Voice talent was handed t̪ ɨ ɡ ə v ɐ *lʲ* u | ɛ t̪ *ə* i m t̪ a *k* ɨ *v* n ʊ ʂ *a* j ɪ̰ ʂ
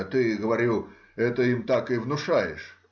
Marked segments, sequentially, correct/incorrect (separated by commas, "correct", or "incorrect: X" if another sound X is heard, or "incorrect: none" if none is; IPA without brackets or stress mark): incorrect: ɾʲ, correct, correct, correct, correct